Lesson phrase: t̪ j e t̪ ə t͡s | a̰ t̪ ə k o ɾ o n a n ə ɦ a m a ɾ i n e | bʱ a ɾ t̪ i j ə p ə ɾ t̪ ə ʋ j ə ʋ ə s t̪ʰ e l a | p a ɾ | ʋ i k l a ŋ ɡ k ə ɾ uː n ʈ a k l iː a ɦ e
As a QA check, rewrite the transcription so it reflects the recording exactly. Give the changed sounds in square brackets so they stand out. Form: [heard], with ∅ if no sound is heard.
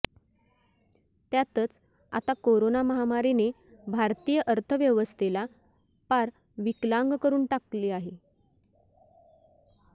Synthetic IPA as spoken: t̪ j [a] t̪ ə t͡s | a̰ t̪ [a] k o ɾ o n a [m] ə ɦ a m a ɾ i n e | bʱ a ɾ t̪ i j ə [ʔ] ə ɾ [t̪ʰ] ə ʋ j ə ʋ ə s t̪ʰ e l a | p a ɾ | ʋ i k l a ŋ ɡ k ə ɾ uː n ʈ a k l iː a ɦ e